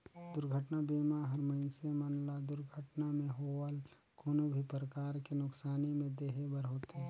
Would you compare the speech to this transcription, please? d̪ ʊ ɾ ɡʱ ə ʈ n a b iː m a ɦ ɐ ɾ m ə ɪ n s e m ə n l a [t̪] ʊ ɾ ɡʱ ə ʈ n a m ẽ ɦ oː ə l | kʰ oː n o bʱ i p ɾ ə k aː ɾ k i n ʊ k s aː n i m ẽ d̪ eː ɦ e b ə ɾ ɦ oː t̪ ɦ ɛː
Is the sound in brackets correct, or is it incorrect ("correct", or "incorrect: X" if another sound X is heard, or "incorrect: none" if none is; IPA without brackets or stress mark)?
incorrect: d̪